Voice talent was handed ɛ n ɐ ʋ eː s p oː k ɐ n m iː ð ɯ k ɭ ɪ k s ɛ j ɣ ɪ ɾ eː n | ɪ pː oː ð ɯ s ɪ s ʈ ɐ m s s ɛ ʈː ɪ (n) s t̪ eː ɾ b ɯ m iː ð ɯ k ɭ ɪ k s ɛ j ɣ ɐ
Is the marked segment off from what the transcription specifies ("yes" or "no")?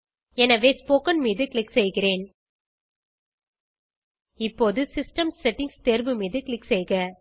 yes